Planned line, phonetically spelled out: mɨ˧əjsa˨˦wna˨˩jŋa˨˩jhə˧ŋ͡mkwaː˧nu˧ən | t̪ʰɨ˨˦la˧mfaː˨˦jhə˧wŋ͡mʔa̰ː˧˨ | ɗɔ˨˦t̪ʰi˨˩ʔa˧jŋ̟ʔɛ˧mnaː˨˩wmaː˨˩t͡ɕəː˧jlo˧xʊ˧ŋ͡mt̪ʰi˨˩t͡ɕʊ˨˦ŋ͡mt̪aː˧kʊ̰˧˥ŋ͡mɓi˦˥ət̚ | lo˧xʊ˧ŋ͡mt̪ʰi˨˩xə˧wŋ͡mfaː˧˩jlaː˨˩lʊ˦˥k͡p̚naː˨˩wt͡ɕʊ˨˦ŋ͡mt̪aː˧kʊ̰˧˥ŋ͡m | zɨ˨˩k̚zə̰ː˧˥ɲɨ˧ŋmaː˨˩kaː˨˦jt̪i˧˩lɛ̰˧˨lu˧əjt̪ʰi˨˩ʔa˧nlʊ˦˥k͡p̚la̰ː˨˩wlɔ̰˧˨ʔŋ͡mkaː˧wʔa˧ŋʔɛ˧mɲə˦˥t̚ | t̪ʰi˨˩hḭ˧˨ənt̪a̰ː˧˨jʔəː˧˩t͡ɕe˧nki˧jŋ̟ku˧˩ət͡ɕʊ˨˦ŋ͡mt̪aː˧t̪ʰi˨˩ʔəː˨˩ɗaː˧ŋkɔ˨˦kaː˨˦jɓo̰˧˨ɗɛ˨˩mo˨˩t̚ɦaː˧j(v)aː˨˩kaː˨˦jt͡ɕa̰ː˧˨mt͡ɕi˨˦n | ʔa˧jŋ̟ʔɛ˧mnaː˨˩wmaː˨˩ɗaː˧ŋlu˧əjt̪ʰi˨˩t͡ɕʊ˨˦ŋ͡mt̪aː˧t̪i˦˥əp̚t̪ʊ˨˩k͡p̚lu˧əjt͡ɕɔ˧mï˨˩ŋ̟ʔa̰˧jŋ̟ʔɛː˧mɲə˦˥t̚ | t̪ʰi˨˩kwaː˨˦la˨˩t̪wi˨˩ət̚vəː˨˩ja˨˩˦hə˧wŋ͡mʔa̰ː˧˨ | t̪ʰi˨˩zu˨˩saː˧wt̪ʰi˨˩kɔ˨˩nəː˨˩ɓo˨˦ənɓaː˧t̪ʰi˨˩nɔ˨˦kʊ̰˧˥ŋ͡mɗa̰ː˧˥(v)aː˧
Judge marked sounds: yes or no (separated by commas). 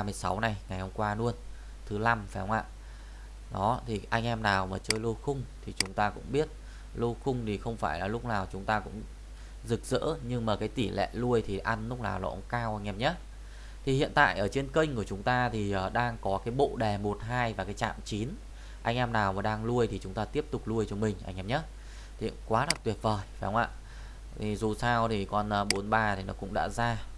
yes, no